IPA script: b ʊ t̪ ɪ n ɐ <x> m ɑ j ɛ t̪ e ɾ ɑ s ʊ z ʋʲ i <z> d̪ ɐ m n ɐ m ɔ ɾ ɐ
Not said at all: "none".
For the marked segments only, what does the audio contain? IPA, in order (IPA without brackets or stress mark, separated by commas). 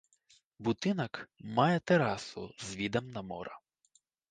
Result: k, none